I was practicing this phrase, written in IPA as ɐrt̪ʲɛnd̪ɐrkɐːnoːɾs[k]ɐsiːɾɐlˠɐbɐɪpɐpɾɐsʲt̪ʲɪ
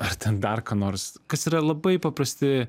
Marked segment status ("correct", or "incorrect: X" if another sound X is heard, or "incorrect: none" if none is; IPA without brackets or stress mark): correct